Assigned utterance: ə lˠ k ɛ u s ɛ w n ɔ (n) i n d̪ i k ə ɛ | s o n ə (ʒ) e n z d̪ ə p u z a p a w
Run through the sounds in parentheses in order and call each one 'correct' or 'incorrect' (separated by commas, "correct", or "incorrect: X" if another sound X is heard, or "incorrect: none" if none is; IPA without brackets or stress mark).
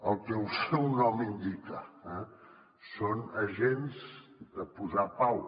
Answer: incorrect: m, correct